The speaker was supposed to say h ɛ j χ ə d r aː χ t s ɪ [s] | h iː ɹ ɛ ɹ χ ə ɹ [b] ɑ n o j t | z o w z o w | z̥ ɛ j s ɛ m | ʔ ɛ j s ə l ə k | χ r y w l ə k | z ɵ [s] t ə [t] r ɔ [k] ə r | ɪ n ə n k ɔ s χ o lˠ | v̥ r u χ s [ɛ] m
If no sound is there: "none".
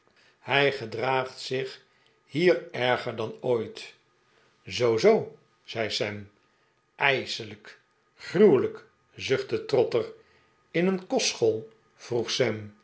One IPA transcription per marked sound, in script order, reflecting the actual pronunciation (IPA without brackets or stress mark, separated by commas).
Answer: χ, d, χ, t, t, ɛ